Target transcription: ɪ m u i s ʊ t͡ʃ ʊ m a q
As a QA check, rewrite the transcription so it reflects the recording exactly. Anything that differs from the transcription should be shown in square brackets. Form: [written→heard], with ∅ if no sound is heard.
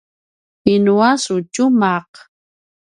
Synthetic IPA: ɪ [m→n] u [i→a] s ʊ t͡ʃ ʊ m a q